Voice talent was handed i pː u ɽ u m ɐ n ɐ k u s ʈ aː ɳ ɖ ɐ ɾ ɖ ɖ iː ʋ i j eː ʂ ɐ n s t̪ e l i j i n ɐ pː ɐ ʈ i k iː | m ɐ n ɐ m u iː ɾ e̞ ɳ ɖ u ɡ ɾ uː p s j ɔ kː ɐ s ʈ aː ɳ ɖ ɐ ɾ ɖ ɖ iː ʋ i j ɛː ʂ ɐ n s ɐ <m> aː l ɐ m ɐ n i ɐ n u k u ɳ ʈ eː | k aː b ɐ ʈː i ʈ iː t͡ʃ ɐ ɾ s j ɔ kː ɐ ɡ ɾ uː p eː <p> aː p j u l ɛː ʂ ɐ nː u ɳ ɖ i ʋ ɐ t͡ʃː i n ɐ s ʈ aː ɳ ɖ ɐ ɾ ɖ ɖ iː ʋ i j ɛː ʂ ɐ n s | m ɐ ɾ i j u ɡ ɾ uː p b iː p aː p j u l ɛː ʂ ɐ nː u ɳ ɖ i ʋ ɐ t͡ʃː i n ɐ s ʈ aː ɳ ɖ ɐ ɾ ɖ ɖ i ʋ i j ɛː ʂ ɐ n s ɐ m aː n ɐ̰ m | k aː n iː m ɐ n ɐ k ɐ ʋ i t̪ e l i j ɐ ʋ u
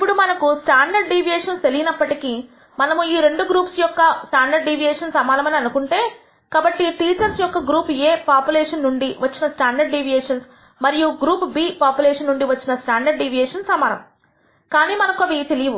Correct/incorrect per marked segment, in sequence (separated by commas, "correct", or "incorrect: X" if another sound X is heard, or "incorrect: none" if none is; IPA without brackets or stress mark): correct, correct